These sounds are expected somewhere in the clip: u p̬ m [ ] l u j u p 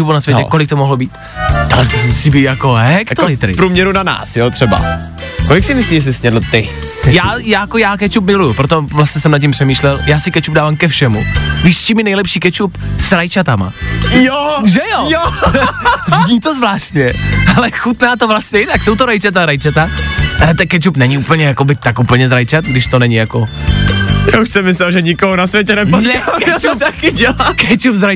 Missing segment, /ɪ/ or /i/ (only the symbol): ɪ